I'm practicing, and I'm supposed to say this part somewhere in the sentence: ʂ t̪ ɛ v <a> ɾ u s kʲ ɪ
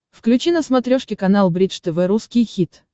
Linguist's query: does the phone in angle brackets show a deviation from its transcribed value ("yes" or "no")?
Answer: yes